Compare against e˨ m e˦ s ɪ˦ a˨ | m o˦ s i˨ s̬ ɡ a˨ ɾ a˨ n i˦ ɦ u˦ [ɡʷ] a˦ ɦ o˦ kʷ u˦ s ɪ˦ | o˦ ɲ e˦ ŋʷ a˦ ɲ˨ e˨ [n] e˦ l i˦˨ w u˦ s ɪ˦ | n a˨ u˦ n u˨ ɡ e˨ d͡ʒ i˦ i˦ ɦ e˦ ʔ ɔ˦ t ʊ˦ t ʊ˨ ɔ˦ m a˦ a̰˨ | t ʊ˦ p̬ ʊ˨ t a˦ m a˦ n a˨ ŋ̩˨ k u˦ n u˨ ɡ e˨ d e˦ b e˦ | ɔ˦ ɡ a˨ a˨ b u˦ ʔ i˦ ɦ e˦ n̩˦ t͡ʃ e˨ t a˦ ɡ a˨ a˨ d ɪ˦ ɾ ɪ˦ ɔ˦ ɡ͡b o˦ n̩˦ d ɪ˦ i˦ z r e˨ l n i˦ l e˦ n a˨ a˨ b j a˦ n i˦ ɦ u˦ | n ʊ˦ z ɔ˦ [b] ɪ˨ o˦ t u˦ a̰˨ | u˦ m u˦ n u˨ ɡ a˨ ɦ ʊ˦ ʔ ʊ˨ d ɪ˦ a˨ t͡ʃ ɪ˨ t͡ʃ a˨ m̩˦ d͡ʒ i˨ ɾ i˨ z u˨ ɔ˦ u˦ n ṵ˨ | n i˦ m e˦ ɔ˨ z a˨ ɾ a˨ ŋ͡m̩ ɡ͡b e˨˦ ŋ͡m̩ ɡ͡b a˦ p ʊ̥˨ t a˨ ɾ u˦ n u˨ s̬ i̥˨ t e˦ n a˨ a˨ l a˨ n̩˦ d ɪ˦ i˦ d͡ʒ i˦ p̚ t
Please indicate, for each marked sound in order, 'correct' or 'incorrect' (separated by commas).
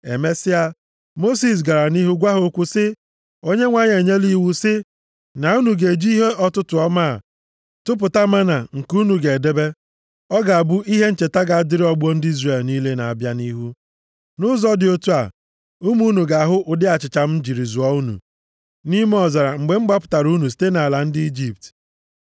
correct, incorrect, incorrect